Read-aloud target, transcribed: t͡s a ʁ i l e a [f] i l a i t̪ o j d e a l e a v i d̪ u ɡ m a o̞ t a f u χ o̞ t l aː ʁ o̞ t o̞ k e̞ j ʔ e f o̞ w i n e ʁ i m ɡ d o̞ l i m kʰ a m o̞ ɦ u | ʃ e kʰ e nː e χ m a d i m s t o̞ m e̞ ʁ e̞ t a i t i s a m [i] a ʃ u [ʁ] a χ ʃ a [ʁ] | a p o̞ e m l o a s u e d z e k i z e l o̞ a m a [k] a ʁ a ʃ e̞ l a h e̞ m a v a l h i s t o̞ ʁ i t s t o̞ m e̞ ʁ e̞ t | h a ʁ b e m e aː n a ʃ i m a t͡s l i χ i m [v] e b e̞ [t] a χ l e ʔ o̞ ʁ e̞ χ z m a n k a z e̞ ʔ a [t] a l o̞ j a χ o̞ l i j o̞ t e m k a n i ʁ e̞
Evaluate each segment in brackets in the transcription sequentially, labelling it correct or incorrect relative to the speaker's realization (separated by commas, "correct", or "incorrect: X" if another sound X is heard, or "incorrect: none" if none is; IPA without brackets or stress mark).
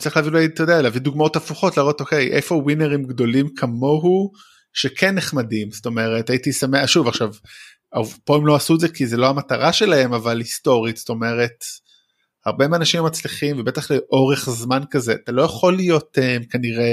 incorrect: v, incorrect: e, incorrect: v, incorrect: v, incorrect: t, correct, correct, correct